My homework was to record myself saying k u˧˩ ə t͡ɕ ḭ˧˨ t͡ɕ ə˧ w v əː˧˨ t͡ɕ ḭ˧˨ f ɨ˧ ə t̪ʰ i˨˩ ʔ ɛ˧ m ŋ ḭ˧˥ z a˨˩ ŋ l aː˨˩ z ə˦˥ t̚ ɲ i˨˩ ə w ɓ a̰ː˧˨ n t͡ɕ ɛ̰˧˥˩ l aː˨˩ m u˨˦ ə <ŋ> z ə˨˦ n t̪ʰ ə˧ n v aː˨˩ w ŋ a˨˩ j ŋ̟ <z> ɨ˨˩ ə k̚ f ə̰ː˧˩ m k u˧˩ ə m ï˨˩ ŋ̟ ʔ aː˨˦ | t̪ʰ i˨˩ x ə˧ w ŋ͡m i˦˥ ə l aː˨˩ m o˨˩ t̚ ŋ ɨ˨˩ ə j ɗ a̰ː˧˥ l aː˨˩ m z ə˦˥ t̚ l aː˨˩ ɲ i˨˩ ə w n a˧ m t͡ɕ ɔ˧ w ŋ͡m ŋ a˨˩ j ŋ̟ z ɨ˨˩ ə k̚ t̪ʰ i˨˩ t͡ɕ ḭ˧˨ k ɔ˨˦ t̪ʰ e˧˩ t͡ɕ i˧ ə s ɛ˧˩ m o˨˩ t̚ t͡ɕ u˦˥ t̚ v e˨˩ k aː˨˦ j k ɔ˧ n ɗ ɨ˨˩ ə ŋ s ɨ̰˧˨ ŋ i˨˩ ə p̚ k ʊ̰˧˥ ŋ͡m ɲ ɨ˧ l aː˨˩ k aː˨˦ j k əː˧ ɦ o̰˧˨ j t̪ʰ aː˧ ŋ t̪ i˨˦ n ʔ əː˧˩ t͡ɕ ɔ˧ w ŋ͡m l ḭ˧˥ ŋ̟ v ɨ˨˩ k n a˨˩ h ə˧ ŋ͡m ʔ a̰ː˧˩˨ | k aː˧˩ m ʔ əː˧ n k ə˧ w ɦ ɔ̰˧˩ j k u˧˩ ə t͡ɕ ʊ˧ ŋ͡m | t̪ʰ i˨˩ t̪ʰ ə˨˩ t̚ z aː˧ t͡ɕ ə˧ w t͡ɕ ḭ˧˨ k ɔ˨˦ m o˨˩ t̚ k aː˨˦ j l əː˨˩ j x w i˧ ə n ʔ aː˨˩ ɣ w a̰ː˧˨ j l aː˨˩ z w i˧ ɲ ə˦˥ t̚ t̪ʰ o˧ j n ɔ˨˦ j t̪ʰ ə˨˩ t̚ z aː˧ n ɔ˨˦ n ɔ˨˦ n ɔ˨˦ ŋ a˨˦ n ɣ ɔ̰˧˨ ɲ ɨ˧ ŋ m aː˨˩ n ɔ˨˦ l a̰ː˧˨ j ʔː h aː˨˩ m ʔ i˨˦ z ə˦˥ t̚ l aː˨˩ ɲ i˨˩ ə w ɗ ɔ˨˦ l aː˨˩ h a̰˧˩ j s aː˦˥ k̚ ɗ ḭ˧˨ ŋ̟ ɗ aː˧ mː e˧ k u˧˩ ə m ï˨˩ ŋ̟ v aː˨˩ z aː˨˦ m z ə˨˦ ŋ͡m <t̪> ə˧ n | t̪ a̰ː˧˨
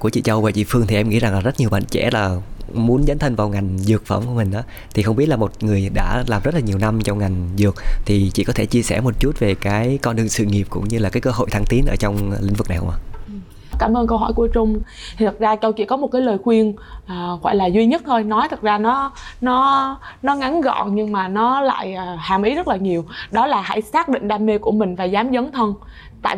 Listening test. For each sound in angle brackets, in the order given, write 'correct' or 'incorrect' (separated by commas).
incorrect, correct, incorrect